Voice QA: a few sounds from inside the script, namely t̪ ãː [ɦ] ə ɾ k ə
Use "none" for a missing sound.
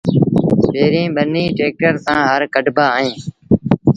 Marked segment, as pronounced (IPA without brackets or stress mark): ɦ